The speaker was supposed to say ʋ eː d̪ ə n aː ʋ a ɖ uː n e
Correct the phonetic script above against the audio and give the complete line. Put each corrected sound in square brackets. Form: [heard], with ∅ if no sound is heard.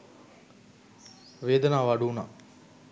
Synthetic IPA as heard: ʋ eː d̪ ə n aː ʋ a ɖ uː n [a]